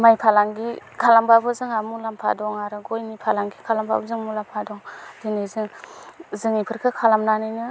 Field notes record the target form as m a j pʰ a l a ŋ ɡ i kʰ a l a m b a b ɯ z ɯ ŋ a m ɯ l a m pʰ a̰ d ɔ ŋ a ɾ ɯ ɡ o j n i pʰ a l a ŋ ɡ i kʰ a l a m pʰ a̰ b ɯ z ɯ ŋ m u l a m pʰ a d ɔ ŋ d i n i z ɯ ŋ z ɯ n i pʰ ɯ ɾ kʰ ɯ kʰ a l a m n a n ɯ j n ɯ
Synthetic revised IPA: m a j pʰ a l a ŋ ɡ i kʰ a l a m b a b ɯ z ɯ ŋ a m u l a m pʰ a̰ d ɔ ŋ a ɾ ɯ ɡ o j n i pʰ a l a ŋ ɡ i kʰ a l a m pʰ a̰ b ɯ z ɯ ŋ m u l a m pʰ a d ɔ ŋ d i n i z ɯ ŋ z ɯ ŋ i pʰ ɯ ɾ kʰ ɯ kʰ a l a m n a n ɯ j n ɯ

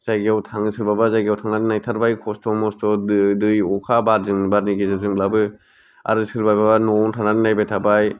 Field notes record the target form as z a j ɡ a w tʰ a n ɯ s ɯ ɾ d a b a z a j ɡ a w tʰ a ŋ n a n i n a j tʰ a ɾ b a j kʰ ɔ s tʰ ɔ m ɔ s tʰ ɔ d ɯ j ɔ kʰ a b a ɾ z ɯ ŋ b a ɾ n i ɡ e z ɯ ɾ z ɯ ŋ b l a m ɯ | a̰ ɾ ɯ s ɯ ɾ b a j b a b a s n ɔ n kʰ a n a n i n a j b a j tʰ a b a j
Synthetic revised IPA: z a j ɡ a w tʰ a ŋ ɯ s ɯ ɾ b a b a z a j ɡ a w tʰ a ŋ n a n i n a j tʰ a ɾ b a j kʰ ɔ s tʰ ɔ m ɔ s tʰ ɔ d ɯ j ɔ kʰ a b a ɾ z ɯ ŋ b a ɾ n i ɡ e z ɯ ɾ z ɯ ŋ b l a b ɯ | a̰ ɾ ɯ s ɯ ɾ b a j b a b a n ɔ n tʰ a n a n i n a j b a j tʰ a b a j

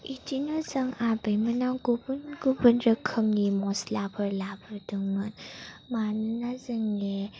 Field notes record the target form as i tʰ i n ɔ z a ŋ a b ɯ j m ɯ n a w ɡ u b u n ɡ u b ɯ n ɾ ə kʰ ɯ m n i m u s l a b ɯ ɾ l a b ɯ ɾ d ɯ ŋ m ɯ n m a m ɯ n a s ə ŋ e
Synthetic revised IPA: i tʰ i n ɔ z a ŋ a b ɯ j m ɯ n a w ɡ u b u n ɡ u b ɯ n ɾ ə kʰ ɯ m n i m ɔ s l a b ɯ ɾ l a b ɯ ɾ d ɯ ŋ m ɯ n m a n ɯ n a z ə ŋ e

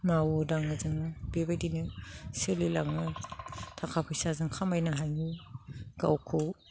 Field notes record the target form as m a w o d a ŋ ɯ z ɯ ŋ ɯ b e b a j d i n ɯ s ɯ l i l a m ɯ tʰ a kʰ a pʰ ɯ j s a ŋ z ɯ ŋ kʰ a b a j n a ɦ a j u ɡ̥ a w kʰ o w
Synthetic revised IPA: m a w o d a ŋ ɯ z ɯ ŋ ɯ b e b a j d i n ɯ s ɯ l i l a ŋ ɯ tʰ a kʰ a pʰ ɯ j s a z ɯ ŋ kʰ a m a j n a ɦ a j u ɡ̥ a w kʰ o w

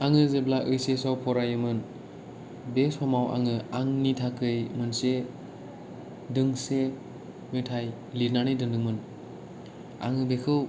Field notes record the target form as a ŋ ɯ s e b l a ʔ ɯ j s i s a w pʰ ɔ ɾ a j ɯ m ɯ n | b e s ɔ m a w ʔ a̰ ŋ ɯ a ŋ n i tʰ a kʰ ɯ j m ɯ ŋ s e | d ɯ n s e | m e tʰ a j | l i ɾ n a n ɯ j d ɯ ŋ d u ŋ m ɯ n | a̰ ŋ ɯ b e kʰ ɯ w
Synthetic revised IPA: a ŋ ɯ z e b l a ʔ ɯ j s e s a w pʰ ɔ ɾ a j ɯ m ɯ n | b e s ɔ m a w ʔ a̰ ŋ ɯ a ŋ n i tʰ a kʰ ɯ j m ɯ n s e | d ɯ ŋ s e | m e tʰ a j | l i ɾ n a n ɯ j d ɯ ŋ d ɯ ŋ m ɯ n | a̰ ŋ ɯ b e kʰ ɯ w

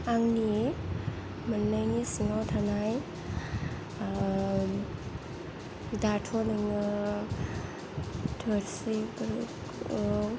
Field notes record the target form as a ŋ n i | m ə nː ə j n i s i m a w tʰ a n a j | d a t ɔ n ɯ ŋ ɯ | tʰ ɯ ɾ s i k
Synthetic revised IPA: a ŋ n i | m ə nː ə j n i s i ŋ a w tʰ a n a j | d a tʰ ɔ n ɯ ŋ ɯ | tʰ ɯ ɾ s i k

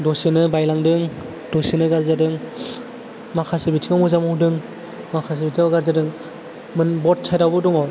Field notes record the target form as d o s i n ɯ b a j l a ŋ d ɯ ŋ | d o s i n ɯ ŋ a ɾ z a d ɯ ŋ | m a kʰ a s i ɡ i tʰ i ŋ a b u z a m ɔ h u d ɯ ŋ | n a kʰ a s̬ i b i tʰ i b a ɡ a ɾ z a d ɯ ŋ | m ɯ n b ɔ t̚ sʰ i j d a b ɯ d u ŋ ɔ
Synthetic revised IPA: d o s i n ɯ b a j l a ŋ d ɯ ŋ | d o s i n ɯ ɡ a ɾ z a d ɯ ŋ | m a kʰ a s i b i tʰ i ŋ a m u z a m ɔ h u d ɯ ŋ | m a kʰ a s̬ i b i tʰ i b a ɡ a ɾ z a d ɯ ŋ | m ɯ n b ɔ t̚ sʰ a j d a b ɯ d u ŋ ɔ

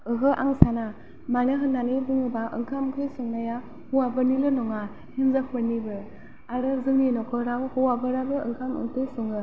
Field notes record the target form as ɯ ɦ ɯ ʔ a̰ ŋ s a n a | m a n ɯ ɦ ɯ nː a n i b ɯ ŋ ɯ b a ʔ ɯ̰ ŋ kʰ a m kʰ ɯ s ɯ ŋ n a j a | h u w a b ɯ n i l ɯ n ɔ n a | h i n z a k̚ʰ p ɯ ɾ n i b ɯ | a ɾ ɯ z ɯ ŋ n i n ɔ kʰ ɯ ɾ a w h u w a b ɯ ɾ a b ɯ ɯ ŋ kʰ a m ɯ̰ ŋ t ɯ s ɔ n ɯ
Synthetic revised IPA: ɯ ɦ ɯ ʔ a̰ ŋ s a n a | m a n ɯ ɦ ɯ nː a n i b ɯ ŋ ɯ b a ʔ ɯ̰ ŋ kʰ a m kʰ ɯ s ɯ ŋ n a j a | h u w a b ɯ n i l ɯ n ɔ ŋ a | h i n z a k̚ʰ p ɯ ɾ n i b ɯ | a ɾ ɯ z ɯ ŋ n i n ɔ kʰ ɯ ɾ a w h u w a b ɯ ɾ a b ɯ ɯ ŋ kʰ a m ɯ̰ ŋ t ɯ s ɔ ŋ ɯ

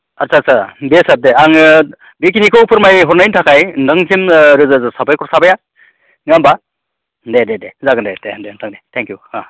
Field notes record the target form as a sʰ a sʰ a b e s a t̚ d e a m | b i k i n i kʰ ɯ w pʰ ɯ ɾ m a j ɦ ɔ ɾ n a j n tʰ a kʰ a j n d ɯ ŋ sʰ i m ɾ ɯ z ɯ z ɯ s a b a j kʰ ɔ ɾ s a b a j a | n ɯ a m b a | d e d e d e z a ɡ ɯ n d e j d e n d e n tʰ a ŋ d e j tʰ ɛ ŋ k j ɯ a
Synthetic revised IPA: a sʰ a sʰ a b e s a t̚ d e a ŋ | b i k i n i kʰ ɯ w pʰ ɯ ɾ m a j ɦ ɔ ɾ n a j n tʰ a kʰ a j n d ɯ ŋ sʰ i m ɾ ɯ z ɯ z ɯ s a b a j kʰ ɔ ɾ s a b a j a | n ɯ a m b a | d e d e d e z a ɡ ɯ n d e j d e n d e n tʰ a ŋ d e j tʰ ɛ ŋ k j u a

